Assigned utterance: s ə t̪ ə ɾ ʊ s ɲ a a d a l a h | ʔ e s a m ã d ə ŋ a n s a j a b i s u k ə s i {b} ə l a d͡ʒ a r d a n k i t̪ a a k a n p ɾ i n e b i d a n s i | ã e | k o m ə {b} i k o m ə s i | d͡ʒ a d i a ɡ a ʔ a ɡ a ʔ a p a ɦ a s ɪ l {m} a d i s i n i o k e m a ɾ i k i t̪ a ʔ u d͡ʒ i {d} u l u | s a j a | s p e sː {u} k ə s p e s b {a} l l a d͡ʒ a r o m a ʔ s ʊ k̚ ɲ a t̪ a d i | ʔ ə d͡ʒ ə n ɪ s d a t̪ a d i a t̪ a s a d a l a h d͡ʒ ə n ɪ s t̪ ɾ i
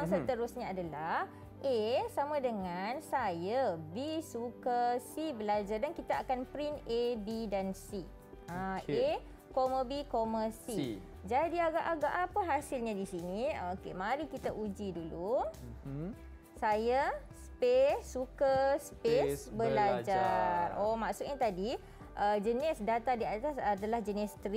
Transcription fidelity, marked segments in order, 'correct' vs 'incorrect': correct, correct, incorrect: ɲ, correct, correct, incorrect: ə

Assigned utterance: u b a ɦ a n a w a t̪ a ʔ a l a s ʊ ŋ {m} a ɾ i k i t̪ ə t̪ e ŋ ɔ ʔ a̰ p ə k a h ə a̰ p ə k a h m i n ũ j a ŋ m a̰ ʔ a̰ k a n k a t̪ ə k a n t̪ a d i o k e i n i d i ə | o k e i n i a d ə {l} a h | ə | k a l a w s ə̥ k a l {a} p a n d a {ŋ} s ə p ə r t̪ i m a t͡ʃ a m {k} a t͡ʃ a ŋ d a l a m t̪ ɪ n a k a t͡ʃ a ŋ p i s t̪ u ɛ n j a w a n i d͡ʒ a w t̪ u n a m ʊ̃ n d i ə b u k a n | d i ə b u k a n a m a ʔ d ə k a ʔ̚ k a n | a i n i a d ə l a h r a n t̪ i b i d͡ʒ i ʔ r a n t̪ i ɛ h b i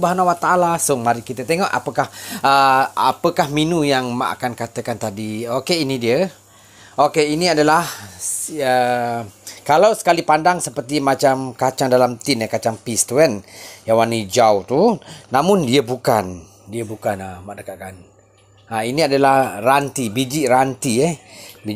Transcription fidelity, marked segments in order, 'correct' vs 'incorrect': correct, correct, incorrect: i, correct, correct

